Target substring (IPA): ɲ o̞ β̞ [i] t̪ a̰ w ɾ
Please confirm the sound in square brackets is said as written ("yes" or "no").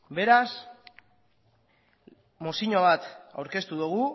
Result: no